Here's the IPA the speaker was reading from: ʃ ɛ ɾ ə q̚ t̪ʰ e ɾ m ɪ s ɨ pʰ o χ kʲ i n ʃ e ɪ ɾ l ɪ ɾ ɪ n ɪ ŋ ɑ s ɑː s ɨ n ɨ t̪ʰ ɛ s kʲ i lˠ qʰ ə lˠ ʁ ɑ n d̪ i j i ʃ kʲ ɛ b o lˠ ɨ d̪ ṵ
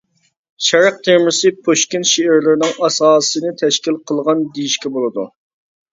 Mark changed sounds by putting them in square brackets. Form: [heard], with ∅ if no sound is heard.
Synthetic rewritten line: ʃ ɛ ɾ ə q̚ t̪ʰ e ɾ m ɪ s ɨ pʰ o [ʃ] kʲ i n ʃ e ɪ ɾ l ɪ ɾ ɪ n ɪ ŋ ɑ s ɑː s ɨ n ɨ t̪ʰ ɛ [ʃ] kʲ i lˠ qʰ ə lˠ ʁ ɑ n d̪ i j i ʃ kʲ ɛ b o lˠ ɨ d̪ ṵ

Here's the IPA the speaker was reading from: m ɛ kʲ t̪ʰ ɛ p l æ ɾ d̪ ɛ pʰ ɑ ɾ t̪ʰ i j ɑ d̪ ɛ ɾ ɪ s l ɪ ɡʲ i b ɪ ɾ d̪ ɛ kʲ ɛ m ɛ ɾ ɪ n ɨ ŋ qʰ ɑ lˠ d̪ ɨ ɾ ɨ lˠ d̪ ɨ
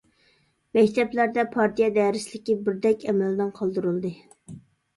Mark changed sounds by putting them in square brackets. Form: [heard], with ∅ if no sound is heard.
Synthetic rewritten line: m ɛ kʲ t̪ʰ ɛ p l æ ɾ d̪ ɛ pʰ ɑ ɾ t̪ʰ i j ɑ d̪ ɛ ɾ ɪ s l ɪ [kʲ] i b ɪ ɾ d̪ ɛ kʲ ɛ m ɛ [l] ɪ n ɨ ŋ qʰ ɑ lˠ d̪ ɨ ɾ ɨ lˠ d̪ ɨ

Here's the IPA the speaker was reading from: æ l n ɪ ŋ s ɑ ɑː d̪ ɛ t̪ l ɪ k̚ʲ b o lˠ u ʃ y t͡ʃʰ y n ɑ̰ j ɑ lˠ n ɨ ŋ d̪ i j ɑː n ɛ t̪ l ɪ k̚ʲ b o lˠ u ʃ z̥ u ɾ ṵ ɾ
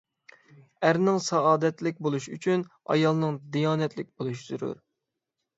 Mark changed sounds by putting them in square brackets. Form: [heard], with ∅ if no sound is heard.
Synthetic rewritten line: æ [ɾ] n ɪ ŋ s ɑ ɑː d̪ ɛ t̪ l ɪ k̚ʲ b o lˠ u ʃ y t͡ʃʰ y n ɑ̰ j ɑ lˠ n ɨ ŋ d̪ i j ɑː n ɛ t̪ l ɪ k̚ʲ b o lˠ u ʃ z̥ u ɾ ṵ ɾ

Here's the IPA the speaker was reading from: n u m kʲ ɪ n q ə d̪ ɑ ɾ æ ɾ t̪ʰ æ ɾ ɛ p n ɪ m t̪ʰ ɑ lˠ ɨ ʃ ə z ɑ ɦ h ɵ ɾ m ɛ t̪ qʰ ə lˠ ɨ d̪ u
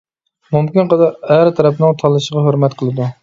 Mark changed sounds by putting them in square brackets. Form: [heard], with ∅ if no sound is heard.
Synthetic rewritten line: [m] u m kʲ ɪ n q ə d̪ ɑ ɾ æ ɾ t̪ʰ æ ɾ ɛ p n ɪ [ŋ] t̪ʰ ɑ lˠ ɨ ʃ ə [ʁ] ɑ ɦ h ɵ ɾ m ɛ t̪ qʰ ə lˠ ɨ d̪ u

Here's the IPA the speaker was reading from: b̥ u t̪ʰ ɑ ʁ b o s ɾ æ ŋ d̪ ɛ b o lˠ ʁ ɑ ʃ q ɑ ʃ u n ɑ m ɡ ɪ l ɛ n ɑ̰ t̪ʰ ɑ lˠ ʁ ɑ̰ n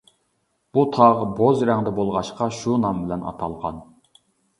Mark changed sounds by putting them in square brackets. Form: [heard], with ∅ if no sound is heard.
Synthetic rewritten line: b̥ u t̪ʰ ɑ ʁ b o [z] ɾ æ ŋ d̪ ɛ b o lˠ ʁ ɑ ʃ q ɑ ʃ u n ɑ m [b] ɪ l ɛ n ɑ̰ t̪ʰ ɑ lˠ ʁ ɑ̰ n

